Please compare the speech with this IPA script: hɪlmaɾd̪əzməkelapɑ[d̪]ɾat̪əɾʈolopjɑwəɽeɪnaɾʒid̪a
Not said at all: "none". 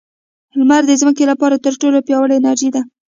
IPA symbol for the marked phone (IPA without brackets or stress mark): none